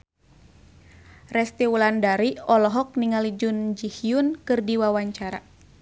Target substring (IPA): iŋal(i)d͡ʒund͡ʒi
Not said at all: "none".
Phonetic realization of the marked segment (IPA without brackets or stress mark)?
i